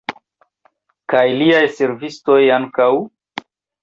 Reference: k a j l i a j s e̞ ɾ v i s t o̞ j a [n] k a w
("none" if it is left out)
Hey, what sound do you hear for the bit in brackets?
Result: ŋ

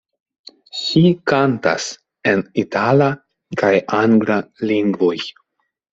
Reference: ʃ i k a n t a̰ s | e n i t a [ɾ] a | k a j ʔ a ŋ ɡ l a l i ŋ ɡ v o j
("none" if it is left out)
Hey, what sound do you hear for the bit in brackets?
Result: l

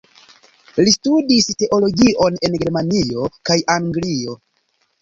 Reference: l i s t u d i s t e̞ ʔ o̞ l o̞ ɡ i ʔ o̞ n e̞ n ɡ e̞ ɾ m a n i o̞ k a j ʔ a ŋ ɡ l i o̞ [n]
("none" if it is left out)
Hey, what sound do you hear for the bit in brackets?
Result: none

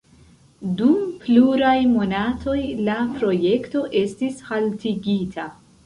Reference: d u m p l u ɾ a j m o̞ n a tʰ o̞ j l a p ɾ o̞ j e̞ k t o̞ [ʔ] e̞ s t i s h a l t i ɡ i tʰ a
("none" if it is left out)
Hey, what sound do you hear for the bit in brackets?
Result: ʔ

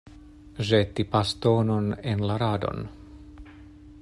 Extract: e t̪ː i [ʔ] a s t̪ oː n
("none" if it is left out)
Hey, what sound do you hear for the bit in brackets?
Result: p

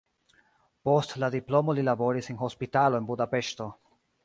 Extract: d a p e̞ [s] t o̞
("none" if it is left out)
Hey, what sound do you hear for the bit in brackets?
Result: ʃ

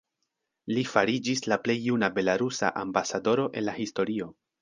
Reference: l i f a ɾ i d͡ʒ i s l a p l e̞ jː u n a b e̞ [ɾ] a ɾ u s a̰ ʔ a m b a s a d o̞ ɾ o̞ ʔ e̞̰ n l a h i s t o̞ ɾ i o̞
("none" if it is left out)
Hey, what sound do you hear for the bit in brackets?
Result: l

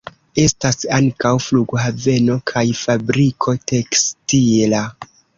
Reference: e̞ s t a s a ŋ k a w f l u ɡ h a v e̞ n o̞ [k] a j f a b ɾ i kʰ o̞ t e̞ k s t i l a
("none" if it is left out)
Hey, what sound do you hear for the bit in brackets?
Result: kʰ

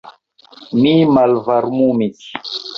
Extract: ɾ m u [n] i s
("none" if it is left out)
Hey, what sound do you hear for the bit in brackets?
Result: m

